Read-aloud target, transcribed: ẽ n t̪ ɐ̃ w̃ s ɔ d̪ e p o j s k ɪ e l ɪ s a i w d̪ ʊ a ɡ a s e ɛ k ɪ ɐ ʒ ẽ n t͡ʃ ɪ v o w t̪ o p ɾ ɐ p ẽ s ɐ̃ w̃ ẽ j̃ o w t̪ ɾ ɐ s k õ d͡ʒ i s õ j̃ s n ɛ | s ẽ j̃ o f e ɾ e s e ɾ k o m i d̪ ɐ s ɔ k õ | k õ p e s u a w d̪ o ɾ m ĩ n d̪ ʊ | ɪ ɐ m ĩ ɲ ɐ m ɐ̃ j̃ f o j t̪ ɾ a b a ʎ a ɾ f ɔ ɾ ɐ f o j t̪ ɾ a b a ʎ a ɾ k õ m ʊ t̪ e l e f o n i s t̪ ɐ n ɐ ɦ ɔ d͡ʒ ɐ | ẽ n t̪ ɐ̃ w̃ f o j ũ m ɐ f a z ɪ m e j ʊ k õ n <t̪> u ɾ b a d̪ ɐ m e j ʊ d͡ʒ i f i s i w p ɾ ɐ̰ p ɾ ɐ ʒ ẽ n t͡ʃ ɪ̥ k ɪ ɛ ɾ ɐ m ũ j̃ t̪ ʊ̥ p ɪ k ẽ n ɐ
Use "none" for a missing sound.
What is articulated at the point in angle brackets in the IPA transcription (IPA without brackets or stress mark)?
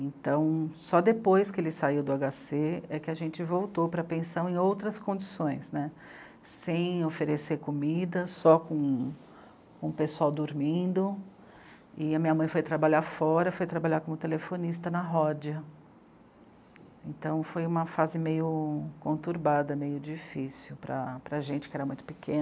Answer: t̪